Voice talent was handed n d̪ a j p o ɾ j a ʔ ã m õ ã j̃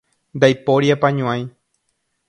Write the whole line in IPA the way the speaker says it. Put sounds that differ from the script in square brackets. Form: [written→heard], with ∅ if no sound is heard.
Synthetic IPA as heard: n d̪ a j p o ɾ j a [ʔ→p] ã [m→ɲ] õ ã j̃